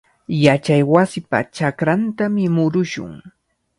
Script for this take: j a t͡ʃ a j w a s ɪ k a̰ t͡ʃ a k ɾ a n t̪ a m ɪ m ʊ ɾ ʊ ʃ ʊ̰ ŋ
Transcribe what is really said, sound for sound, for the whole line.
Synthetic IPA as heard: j a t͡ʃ a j w a s ɪ p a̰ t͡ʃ a k ɾ a n t̪ a m ɪ m ʊ ɾ ʊ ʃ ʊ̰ ŋ